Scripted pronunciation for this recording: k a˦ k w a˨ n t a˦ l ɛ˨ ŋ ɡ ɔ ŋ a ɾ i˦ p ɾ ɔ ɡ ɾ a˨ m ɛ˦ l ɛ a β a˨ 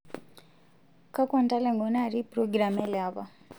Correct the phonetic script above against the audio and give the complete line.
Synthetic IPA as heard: k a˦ k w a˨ n t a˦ l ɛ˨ ŋ ɡ ɔ n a ɾ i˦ p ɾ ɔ ɡ ɾ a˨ m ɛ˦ l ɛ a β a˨